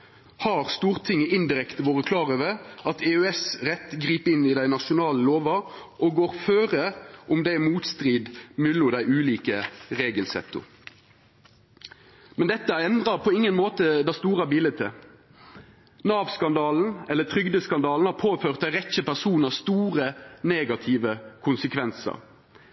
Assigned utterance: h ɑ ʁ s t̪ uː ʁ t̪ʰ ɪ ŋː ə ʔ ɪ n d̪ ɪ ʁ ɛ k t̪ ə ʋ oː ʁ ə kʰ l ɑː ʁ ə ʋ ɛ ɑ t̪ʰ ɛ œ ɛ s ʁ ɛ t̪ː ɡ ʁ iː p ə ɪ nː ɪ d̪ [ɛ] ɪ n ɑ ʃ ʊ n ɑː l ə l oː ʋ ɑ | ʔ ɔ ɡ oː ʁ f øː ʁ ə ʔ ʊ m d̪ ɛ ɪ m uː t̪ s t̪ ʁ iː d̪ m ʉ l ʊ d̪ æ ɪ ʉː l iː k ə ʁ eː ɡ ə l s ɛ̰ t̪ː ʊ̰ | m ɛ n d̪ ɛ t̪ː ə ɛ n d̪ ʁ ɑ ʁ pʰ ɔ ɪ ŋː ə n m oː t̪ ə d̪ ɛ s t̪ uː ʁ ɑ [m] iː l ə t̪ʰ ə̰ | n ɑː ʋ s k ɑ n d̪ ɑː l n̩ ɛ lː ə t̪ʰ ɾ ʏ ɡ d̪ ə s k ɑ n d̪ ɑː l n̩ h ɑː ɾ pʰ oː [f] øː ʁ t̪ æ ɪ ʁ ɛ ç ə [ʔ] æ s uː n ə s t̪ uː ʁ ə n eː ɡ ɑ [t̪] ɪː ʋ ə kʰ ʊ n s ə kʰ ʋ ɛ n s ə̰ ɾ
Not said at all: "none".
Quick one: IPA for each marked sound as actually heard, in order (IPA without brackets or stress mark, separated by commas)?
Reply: æ, b, f, p, t̪ʰ